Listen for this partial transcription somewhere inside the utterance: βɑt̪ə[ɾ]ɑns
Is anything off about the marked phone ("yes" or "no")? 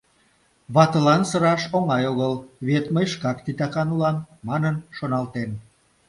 yes